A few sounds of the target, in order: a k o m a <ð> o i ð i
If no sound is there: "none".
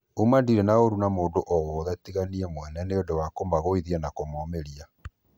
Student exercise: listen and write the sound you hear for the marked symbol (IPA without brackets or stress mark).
ɣ